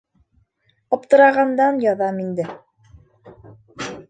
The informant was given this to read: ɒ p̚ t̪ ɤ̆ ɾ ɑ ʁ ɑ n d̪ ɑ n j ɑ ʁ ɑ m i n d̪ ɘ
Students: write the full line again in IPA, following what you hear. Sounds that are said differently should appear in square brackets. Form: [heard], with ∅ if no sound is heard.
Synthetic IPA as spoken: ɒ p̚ t̪ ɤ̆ ɾ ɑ ʁ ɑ n d̪ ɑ n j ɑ [ð] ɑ m i n d̪ ɘ